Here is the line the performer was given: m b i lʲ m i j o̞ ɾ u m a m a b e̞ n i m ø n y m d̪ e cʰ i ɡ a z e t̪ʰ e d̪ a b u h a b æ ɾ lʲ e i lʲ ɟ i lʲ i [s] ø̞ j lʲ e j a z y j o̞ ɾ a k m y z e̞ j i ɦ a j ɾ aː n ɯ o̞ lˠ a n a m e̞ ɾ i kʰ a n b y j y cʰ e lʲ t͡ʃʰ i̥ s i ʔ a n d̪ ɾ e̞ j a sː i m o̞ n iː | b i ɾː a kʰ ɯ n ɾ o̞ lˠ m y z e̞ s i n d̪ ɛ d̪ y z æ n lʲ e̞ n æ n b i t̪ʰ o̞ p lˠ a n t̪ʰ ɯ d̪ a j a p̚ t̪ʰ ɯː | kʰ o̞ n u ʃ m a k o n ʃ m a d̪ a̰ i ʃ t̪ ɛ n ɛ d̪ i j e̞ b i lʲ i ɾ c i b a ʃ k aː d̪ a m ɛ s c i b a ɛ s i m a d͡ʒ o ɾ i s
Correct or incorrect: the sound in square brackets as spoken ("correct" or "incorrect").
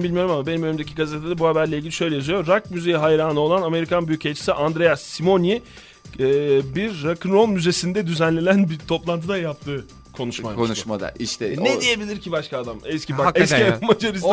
incorrect